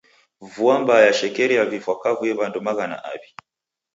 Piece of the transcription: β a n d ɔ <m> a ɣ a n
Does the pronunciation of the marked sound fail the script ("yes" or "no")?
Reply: no